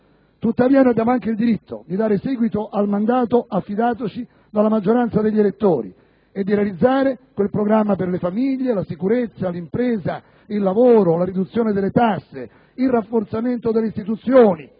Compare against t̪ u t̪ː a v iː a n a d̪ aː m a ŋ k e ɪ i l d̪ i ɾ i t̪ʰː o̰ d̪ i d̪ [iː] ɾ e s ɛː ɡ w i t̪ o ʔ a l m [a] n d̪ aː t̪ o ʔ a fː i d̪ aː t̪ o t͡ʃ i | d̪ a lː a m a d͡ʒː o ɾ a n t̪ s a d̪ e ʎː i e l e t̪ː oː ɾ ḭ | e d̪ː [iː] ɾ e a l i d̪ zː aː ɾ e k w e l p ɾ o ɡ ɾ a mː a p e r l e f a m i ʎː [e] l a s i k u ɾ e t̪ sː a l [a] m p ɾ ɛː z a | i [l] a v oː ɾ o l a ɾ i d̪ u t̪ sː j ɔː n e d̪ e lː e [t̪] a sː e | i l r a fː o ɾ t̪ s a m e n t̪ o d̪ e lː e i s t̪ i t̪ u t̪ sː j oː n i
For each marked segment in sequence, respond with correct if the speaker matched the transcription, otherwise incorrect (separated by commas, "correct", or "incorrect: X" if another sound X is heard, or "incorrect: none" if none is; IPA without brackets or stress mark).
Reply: incorrect: aː, correct, incorrect: i, correct, incorrect: i, incorrect: lː, correct